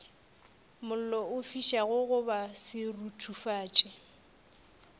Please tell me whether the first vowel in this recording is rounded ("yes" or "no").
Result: yes